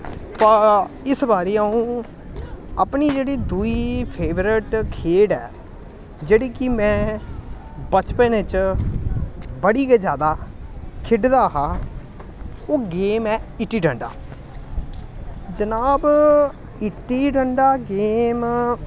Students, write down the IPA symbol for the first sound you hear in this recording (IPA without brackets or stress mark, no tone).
p